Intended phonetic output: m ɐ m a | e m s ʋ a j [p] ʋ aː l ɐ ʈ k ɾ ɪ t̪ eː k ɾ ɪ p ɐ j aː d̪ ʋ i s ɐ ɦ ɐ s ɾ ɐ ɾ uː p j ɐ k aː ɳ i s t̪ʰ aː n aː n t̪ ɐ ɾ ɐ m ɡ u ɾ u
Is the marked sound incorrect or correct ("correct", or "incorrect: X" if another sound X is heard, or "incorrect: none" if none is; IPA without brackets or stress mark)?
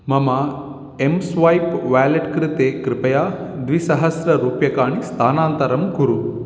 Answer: correct